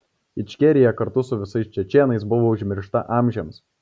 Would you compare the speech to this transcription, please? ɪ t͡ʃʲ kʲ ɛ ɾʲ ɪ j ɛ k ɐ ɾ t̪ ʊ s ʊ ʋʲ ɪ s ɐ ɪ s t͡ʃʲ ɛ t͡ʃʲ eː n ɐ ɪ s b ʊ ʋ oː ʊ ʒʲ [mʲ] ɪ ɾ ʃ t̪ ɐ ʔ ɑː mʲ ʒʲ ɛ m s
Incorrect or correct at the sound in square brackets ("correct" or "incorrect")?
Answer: correct